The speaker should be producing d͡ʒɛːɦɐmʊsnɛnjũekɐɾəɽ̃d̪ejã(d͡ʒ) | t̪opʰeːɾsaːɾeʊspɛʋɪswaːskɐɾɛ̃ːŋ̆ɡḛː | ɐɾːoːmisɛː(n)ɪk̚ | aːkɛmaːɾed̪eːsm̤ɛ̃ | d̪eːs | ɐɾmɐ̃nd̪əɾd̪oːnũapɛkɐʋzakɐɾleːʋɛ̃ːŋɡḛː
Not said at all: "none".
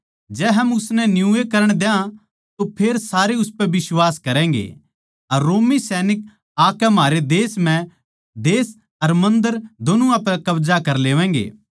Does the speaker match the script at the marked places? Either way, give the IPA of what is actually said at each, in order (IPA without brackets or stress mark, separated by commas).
none, n